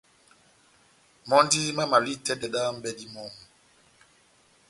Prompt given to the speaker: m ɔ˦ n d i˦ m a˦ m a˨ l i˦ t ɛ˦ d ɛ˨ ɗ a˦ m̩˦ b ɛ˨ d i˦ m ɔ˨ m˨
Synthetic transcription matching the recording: m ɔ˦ n d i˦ m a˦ m a˨ l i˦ t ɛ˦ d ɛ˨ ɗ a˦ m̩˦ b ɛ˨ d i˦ m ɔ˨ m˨